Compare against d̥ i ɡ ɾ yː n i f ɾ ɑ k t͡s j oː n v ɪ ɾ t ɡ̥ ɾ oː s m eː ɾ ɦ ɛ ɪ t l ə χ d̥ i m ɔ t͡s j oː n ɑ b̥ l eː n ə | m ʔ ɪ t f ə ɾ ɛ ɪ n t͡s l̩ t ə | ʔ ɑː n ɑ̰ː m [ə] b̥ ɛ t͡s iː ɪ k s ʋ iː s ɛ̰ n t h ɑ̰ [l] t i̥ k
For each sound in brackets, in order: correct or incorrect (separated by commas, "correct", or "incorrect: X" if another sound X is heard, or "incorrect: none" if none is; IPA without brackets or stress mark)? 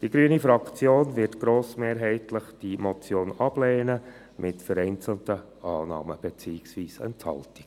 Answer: correct, correct